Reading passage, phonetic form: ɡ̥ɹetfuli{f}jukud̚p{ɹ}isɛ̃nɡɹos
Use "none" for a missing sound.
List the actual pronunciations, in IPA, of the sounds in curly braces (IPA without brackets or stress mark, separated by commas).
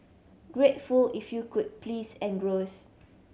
f, l